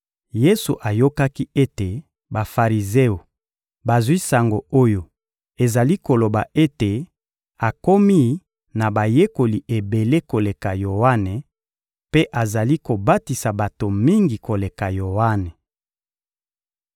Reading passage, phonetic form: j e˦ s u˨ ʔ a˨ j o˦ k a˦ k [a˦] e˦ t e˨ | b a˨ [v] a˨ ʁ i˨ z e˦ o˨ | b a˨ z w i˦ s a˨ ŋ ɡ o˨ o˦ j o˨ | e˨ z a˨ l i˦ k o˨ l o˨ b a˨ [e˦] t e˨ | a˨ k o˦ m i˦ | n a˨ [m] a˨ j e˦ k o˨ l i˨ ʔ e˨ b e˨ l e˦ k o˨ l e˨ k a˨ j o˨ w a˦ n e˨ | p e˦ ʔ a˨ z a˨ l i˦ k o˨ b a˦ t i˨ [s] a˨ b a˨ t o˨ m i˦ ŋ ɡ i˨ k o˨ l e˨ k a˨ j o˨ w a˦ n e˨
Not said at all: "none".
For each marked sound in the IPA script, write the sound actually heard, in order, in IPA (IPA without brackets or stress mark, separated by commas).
i˦, f, e˦, b, s